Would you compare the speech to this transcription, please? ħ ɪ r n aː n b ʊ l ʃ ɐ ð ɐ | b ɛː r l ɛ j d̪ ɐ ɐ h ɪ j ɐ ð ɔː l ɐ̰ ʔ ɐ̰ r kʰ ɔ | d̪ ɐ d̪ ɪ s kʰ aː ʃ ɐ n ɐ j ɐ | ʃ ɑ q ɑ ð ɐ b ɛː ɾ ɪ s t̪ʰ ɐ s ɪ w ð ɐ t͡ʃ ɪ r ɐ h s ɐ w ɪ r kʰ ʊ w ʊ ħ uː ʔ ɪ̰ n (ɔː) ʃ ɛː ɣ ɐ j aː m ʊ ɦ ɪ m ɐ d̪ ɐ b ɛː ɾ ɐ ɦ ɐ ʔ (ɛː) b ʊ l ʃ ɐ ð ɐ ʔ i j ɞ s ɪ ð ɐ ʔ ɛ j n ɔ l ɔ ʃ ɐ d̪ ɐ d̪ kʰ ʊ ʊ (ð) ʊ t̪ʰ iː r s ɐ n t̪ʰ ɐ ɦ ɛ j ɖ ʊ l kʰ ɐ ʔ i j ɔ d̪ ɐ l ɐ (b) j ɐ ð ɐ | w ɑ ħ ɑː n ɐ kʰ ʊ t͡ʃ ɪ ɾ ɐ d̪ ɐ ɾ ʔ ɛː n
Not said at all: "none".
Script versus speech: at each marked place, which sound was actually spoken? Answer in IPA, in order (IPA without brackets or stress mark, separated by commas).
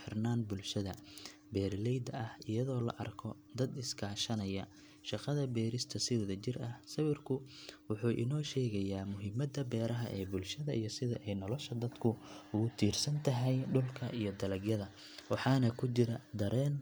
ɔː, ɛː, ɣ, ɡ